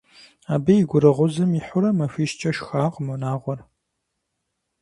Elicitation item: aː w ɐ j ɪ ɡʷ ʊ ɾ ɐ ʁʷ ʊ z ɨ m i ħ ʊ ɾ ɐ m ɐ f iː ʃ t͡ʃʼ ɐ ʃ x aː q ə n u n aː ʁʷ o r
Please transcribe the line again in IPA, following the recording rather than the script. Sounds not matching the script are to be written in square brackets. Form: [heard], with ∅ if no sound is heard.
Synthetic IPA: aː [b] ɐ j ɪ ɡʷ ʊ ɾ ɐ ʁʷ ʊ z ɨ m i ħ ʊ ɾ ɐ m ɐ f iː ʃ t͡ʃʼ ɐ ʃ x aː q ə [m] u n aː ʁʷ [ɔ] r